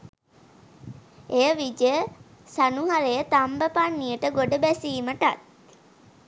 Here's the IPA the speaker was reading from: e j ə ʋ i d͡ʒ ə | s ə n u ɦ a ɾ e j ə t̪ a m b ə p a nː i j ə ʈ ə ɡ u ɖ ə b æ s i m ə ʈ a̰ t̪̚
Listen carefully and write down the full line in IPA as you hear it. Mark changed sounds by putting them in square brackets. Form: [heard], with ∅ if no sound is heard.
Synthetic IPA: e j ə ʋ i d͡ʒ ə | s [a] n u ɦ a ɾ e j ə t̪ a m b ə p a nː i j ə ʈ ə ɡ [o] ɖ ə b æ s [iː] m ə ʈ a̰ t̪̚